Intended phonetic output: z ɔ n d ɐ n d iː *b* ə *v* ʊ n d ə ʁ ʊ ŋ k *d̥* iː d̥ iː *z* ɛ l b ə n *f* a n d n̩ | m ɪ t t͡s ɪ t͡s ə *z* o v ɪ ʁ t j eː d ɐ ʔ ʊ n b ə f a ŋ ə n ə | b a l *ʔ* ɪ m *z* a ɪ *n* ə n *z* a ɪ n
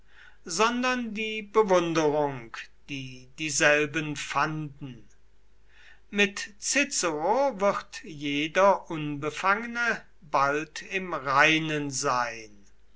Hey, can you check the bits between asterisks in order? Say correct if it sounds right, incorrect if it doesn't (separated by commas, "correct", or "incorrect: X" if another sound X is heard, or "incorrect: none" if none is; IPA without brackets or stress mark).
correct, correct, correct, correct, correct, incorrect: ʁ, incorrect: t, incorrect: ʁ, correct, correct